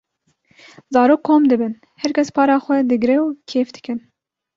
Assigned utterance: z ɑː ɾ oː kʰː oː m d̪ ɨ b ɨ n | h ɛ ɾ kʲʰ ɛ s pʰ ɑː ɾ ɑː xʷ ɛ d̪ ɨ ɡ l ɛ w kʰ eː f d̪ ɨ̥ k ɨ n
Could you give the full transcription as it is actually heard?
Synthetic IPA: z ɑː ɾ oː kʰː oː m d̪ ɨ b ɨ n | h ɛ ɾ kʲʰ ɛ s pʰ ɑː ɾ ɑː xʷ ɛ d̪ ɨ ɡ ɾ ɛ w kʰ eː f d̪ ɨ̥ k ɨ n